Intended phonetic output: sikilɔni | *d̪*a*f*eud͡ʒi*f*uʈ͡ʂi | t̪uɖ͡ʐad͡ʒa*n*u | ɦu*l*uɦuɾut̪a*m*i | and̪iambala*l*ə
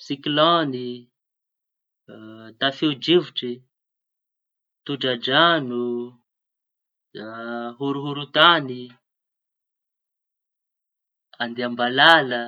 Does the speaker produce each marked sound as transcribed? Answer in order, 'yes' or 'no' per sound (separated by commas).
no, yes, no, yes, no, no, yes